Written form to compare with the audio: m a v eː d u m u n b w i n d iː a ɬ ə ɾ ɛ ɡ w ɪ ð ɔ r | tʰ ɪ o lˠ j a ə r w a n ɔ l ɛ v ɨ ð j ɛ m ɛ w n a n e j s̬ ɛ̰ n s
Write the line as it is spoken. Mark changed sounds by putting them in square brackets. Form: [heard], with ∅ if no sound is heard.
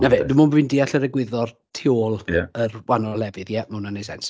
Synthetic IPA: [n] a v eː d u m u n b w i n d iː a ɬ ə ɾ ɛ ɡ w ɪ ð ɔ r | tʰ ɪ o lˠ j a ə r w a n ɔ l ɛ v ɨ ð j ɛ m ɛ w n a n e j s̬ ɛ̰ n s